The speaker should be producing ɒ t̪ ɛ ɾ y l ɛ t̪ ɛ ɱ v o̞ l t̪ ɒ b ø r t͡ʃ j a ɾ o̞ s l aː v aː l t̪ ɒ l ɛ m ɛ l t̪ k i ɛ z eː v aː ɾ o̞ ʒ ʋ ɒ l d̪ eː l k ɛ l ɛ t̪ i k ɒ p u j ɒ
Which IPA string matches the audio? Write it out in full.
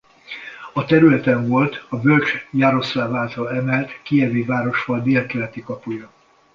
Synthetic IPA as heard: ɒ t̪ ɛ ɾ y l ɛ t̪ ɛ ɱ v o̞ l t̪ ɒ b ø l t͡ʃ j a ɾ o̞ s l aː v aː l t̪ ɒ l ɛ m ɛ l t̪ k i ɛ v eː v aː ɾ o̞ ʃ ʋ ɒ l d̪ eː l k ɛ l ɛ t̪ i k ɒ p u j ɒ